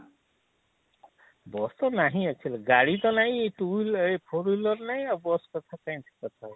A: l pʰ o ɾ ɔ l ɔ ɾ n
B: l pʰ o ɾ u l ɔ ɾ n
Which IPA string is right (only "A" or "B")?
B